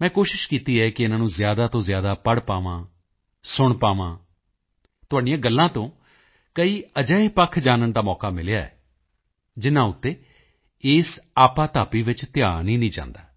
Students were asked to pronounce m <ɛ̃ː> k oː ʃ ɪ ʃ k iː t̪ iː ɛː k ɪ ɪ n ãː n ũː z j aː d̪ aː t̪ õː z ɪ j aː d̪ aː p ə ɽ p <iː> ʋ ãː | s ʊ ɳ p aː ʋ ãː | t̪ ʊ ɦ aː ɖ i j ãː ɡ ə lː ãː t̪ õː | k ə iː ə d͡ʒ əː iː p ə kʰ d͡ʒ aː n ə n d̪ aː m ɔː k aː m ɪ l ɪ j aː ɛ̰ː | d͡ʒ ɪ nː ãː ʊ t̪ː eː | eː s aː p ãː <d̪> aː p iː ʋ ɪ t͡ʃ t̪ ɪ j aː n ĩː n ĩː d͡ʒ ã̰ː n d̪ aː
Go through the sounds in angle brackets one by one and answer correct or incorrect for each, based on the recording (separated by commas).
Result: correct, incorrect, incorrect